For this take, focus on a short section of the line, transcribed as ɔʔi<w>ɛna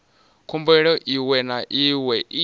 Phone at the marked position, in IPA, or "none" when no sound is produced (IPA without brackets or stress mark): w